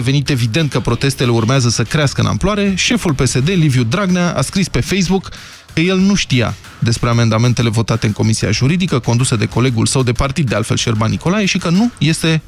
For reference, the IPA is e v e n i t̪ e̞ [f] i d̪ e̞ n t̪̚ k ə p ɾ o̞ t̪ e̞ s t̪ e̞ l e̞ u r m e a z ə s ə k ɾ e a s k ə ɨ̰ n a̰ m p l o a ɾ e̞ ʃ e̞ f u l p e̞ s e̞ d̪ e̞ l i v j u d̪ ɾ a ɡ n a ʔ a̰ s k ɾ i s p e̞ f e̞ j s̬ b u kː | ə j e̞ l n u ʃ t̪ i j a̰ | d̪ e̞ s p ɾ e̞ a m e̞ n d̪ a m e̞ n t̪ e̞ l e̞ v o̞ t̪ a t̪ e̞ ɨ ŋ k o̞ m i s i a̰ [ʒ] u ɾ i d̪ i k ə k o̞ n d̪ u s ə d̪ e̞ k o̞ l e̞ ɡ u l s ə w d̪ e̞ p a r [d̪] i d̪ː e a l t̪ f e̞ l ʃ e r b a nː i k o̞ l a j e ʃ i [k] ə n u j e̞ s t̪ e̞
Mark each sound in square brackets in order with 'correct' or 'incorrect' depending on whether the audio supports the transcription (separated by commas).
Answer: incorrect, correct, incorrect, correct